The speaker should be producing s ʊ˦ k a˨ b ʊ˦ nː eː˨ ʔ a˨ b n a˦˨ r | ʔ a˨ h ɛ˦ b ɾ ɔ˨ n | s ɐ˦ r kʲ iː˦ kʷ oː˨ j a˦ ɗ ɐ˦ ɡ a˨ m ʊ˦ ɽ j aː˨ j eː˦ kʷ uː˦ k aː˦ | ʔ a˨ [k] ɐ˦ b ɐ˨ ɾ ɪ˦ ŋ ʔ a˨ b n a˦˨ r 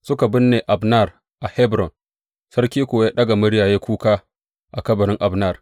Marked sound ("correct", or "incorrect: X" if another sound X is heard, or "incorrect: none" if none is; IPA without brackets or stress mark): correct